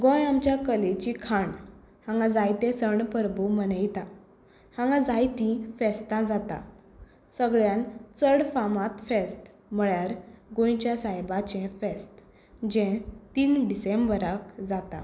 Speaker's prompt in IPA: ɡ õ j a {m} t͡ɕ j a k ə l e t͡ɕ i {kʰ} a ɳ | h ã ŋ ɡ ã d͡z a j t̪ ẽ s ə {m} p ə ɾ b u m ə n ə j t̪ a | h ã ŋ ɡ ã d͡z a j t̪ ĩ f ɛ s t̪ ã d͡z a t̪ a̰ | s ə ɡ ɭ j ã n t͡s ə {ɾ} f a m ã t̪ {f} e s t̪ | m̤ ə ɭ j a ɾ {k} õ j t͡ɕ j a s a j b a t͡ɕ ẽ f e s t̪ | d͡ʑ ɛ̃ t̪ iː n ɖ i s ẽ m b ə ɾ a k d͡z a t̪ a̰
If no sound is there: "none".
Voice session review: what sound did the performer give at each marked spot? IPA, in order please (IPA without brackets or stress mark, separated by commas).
m, kʰ, ɳ, ɽ, f, ɡ